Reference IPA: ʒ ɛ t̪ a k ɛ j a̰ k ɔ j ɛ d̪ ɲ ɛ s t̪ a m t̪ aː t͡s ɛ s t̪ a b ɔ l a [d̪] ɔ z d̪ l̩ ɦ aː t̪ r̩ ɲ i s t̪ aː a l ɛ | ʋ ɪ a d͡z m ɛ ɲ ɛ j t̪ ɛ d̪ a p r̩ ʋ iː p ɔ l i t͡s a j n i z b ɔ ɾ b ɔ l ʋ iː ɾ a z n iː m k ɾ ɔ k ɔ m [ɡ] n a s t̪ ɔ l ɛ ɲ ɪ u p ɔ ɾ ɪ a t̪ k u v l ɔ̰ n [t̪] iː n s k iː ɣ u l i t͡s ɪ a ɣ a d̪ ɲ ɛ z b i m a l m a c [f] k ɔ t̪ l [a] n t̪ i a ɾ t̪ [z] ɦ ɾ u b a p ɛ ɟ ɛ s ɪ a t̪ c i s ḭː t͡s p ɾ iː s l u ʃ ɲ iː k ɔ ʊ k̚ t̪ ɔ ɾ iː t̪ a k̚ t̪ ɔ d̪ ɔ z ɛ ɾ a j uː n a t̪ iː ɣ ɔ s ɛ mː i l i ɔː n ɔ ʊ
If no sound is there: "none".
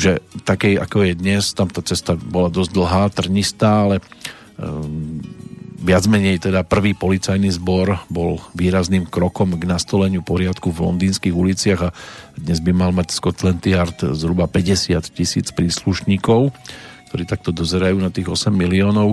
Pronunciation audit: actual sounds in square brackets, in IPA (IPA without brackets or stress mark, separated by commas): d̪, ɡ, d̪, s, ɛ, z